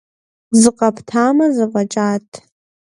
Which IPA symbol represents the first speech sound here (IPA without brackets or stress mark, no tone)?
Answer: z